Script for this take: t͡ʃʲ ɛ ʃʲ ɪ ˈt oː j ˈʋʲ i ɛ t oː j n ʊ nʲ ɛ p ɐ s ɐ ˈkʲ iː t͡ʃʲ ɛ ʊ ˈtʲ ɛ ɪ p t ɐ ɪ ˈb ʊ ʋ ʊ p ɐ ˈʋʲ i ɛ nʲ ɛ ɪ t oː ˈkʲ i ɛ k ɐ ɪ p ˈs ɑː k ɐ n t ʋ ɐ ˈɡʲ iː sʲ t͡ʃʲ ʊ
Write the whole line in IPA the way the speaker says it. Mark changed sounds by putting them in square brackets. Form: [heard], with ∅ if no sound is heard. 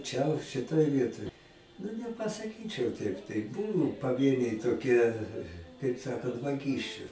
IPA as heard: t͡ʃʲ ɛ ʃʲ ɪ ˈt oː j ˈʋʲ i ɛ t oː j n ʊ nʲ ɛ p ɐ s ɐ ˈkʲ iː t͡ʃʲ ɛ ʊ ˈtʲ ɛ ɪ p t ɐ ɪ ˈb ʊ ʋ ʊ p ɐ ˈʋʲ i ɛ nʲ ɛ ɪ t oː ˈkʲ i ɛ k ɐ ɪ p ˈs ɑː k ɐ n t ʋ ɐ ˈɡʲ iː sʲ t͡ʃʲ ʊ